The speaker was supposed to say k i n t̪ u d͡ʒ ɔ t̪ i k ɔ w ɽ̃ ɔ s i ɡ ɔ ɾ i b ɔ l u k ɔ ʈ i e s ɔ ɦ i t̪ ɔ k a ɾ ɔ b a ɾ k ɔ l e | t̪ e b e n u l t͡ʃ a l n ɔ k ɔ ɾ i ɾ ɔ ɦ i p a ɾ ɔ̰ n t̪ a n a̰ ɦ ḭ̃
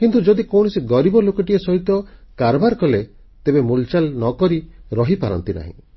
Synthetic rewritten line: k i n t̪ u d͡ʒ ɔ d̪ i k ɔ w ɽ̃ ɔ s i ɡ ɔ ɾ i b ɔ l o k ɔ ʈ i e s ɔ ɦ i t̪ ɔ k a ɾ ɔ b a ɾ k ɔ l e | t̪ e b e m u l t͡ʃ a l n ɔ k ɔ ɾ i ɾ ɔ ɦ i p a ɾ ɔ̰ n t̪ i n a̰ ɦ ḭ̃